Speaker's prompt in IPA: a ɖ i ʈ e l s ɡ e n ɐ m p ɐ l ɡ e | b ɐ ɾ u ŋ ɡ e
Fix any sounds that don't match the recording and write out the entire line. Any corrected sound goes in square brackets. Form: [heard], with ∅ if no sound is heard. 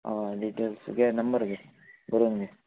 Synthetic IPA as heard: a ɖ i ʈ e l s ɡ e n ɐ m [b] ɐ [ɾ] ɡ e | b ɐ ɾ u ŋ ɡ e